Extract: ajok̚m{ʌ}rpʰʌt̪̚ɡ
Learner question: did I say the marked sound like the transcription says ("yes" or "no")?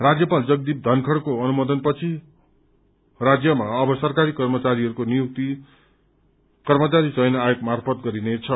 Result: no